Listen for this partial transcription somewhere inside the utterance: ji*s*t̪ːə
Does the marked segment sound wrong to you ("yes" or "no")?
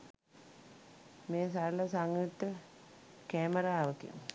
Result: yes